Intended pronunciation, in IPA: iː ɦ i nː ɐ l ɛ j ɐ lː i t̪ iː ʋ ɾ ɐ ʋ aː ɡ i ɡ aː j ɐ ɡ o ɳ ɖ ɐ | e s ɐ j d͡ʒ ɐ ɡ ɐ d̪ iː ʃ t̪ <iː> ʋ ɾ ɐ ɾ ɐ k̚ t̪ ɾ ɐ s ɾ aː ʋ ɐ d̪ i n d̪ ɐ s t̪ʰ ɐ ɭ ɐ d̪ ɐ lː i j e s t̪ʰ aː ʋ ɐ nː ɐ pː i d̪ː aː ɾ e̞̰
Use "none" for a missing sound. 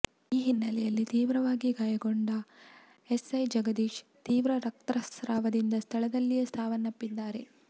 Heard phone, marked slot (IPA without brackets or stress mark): iː